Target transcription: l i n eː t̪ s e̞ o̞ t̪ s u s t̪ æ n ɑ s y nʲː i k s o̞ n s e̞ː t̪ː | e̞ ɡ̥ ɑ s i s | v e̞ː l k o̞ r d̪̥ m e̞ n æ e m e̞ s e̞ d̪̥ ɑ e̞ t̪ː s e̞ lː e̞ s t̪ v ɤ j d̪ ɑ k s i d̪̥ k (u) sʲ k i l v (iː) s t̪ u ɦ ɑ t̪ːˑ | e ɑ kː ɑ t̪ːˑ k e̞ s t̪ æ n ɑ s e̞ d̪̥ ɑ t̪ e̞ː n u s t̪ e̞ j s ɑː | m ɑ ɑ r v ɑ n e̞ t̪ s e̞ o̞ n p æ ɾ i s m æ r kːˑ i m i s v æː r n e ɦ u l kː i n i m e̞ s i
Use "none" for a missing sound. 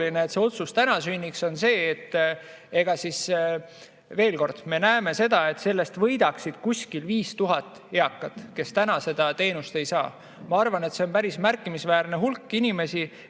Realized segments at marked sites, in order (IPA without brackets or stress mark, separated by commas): u, iː